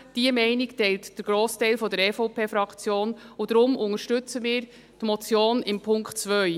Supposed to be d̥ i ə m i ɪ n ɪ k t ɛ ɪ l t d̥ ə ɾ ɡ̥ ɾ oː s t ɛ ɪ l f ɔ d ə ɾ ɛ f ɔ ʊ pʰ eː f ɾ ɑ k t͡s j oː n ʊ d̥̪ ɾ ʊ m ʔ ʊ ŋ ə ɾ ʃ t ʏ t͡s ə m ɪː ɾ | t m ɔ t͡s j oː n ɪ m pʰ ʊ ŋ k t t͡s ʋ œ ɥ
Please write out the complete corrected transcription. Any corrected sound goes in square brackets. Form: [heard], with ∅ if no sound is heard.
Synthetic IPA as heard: d̥ i ə m [ɛ] ɪ n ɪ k t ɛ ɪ l t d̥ ə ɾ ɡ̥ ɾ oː s t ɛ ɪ l f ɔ d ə ɾ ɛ f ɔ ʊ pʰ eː f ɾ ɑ k t͡s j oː n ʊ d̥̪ ɾ ʊ m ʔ ʊ ŋ ə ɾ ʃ t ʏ t͡s ə m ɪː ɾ | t m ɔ t͡s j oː n ɪ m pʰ ʊ ŋ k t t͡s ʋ œ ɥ